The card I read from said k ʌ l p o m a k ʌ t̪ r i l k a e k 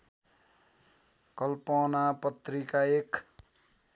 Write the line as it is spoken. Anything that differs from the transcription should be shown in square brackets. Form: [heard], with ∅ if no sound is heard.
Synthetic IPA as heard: k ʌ l p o [n] a [p] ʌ t̪ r i [∅] k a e k